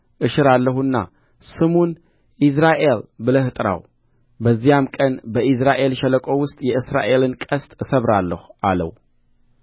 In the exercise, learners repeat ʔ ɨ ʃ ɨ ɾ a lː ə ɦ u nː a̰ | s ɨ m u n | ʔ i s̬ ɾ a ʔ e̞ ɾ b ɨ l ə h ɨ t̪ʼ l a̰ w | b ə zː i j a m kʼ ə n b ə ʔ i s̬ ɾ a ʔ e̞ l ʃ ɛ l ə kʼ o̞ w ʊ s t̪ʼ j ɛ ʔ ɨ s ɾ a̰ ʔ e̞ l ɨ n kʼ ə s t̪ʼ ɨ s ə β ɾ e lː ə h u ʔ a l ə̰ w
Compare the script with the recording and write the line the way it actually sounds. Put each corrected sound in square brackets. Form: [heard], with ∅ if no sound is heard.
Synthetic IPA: ʔ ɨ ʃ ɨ ɾ a lː ə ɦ u nː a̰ | s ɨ m u n | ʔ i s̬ ɾ a ʔ e̞ [l] b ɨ l ə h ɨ t̪ʼ [ɾ] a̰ w | b ə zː i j a m kʼ ə n b ə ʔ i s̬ ɾ a ʔ e̞ l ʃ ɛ l ə kʼ o̞ w ʊ s t̪ʼ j ɛ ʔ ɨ s ɾ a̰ ʔ e̞ l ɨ n kʼ ə s t̪ʼ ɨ s ə β ɾ [a] lː ə h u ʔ a l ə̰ w